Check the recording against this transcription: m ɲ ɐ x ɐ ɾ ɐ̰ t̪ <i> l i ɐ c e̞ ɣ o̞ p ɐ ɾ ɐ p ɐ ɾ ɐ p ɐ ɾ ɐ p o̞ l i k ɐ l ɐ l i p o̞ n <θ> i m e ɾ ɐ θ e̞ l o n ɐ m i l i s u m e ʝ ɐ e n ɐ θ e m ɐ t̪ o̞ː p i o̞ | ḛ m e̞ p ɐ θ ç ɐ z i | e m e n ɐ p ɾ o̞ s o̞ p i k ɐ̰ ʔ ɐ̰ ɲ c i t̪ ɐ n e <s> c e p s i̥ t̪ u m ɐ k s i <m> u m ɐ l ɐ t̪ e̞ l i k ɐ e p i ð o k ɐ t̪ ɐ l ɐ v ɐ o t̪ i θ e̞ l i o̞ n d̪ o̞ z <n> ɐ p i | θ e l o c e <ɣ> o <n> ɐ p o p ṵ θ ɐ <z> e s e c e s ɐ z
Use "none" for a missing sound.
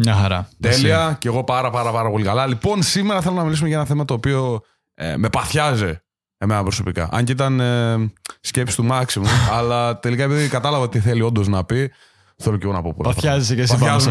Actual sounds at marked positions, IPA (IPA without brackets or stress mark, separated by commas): e, s, s, m, n, ɣ, n, z